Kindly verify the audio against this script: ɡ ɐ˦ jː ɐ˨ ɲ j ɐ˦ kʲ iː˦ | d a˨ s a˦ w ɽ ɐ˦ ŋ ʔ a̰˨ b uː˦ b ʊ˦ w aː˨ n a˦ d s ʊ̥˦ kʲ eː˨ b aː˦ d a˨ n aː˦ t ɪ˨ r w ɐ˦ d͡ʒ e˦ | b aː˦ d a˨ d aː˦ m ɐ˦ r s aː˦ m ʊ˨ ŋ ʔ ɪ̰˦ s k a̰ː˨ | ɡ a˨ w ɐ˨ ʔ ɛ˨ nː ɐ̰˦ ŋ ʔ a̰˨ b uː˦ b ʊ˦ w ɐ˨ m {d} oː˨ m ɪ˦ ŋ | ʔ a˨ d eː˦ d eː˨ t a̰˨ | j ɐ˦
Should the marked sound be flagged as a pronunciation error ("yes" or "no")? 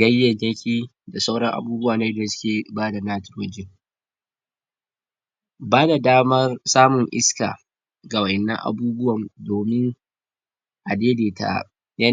no